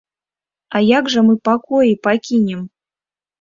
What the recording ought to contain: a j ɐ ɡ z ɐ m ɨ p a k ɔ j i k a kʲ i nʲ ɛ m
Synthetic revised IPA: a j a ɡ ʐ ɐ m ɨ p a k ɔ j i p a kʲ i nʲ ɛ m

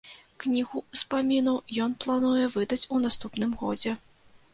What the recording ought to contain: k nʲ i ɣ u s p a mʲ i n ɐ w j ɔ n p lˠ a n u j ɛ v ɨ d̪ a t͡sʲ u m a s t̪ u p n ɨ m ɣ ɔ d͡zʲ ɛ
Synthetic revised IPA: k nʲ i ɣ u s p a mʲ i n ɐ w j ɔ n p lˠ a n u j ɛ v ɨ d̪ ɐ t͡sʲ u n a s t̪ u p n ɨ m ɣ ɔ d͡zʲ ɛ

